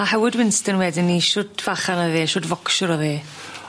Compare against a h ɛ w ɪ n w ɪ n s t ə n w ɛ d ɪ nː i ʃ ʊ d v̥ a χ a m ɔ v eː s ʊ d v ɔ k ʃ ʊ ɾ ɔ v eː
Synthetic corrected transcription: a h ɛ w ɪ d w ɪ n s t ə n w ɛ d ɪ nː i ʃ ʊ d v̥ a χ a n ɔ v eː ʃ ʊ d v ɔ k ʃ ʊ ɾ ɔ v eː